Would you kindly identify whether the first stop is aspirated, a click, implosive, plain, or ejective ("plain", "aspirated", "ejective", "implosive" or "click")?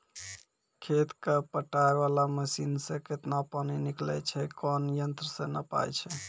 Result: aspirated